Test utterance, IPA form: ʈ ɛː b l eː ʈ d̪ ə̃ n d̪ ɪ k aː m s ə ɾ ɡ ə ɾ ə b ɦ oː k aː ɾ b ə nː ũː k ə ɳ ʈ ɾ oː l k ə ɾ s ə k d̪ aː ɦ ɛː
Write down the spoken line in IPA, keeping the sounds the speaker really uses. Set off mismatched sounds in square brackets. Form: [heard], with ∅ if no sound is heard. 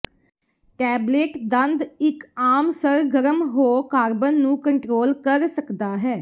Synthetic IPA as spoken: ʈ ɛː b l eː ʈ d̪ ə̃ n d̪ ɪ k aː m s ə ɾ ɡ ə ɾ ə [m] ɦ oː k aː ɾ b ə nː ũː k ə ɳ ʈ ɾ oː l k ə ɾ s ə k d̪ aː ɦ ɛː